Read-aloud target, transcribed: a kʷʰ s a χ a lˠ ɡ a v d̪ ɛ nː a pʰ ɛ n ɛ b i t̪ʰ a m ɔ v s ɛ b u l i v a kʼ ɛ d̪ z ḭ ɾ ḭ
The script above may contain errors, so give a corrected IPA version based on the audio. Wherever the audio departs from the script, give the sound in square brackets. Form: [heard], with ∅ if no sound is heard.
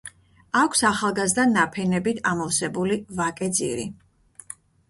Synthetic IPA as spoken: a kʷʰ s a χ a lˠ ɡ a [z] d̪ [a] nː a pʰ ɛ n ɛ b i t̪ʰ a m ɔ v s ɛ b u l i v a kʼ ɛ d̪ z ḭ ɾ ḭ